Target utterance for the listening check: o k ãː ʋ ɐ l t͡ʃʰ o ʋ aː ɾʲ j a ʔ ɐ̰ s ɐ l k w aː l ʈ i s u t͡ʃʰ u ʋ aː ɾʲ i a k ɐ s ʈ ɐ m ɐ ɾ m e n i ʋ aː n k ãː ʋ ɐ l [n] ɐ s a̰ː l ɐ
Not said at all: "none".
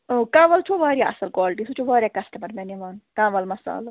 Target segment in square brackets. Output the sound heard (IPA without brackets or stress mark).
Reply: m